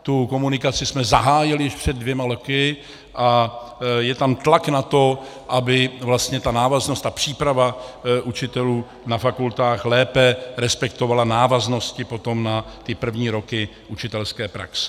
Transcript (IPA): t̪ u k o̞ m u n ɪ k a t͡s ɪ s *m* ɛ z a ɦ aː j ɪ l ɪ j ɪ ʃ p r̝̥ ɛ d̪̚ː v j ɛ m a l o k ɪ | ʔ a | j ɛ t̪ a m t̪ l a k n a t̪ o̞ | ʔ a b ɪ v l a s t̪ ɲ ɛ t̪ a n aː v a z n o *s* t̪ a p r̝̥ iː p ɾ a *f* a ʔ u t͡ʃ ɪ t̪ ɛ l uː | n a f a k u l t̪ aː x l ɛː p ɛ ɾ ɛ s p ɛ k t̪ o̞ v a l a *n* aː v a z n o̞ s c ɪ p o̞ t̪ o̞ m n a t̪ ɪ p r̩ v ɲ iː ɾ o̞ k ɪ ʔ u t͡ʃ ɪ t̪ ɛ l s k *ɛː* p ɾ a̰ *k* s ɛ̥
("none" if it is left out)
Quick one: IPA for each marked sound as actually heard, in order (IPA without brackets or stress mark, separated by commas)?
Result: m, s, v, n, ɛː, k